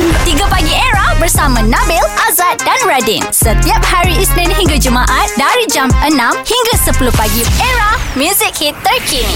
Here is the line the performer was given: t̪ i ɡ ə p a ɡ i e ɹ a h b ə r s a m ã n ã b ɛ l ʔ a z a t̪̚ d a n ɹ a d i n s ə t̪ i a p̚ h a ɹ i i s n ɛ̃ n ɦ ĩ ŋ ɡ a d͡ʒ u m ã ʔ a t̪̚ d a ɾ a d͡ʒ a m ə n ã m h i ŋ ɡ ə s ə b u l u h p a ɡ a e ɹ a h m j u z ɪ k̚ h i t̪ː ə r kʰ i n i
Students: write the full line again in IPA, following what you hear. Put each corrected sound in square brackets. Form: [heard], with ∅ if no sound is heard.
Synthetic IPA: t̪ i ɡ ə p a ɡ i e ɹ a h b ə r s a m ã n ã b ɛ l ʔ a z a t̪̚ d a n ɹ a d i n s ə t̪ i a p̚ h a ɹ i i s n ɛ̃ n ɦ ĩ ŋ ɡ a d͡ʒ u m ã ʔ a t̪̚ d a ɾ [i] d͡ʒ a m ə n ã m h i ŋ ɡ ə s ə [p] u l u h p a ɡ [i] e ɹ a h m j u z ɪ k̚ h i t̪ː ə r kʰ i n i